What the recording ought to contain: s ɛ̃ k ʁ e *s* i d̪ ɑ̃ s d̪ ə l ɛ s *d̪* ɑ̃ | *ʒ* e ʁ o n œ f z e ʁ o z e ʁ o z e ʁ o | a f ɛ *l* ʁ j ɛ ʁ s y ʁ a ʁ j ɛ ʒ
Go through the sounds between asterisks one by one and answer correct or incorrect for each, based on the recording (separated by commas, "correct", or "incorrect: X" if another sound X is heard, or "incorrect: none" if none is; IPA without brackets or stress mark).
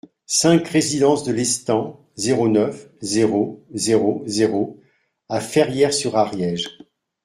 incorrect: z, incorrect: t̪, incorrect: z, incorrect: none